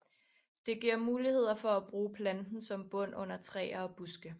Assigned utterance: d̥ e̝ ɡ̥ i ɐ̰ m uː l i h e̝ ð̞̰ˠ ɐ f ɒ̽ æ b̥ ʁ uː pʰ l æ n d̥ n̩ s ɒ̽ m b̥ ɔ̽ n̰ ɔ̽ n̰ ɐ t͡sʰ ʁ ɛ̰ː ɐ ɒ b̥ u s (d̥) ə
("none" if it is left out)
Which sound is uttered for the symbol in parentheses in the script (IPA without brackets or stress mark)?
ɡ̥